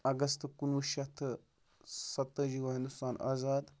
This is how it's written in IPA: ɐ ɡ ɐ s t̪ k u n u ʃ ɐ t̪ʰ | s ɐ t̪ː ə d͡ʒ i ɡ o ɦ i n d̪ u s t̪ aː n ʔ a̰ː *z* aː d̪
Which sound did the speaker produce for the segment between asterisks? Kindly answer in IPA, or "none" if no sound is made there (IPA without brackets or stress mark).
z